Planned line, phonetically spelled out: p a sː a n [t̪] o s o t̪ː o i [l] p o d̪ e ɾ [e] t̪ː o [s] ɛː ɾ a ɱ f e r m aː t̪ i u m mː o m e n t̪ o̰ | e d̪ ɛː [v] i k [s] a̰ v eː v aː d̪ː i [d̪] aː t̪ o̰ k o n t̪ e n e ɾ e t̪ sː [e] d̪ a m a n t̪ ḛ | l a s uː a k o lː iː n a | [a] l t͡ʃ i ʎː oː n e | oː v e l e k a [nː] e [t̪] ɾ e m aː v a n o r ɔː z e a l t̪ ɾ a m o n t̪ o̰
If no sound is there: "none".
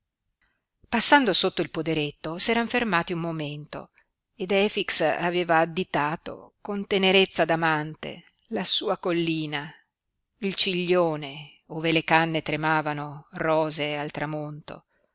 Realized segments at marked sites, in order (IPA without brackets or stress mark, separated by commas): d̪, l, e, s, f, s, t̪, a, i, nː, t̪